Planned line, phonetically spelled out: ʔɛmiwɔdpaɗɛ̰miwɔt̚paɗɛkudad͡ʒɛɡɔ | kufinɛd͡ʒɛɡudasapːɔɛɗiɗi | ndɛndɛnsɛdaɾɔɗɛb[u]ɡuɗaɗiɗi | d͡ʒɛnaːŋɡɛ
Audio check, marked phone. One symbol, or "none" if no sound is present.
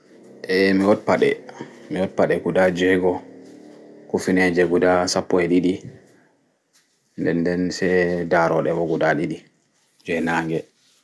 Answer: ɔ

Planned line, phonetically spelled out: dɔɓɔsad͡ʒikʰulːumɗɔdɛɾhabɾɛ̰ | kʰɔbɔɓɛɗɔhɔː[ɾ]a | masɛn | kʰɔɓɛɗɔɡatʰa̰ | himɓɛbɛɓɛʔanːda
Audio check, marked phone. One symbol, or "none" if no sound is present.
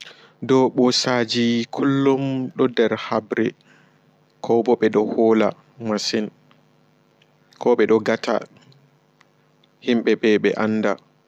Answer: l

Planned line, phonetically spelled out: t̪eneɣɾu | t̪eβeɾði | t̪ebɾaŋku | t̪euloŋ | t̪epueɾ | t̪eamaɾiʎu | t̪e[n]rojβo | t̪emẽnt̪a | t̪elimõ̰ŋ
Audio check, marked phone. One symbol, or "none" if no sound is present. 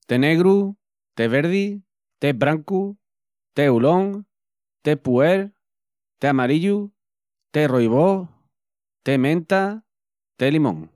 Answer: none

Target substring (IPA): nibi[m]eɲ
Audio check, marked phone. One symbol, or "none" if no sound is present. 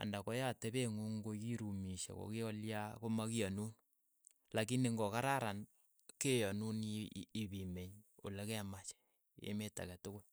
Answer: m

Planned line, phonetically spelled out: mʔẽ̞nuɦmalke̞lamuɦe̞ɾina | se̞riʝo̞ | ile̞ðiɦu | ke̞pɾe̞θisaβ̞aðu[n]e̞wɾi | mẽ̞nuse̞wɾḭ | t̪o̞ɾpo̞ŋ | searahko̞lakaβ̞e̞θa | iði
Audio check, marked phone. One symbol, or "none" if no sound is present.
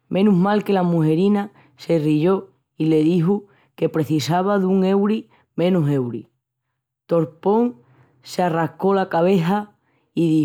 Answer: ŋ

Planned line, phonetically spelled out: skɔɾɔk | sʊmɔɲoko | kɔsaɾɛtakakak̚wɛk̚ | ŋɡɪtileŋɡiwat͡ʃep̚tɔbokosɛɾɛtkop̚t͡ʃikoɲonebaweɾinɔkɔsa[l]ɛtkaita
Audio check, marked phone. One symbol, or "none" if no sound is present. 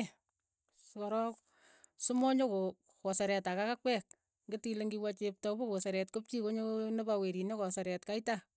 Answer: ɾ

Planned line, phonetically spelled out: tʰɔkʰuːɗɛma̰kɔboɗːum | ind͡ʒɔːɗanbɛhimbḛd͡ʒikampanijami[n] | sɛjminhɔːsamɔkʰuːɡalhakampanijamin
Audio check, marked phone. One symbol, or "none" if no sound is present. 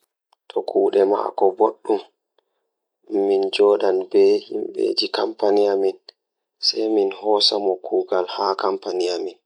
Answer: n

